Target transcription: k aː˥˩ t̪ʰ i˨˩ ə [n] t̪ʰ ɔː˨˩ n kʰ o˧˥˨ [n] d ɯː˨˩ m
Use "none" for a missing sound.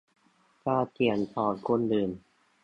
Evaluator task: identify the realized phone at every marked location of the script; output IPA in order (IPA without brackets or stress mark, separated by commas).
n, n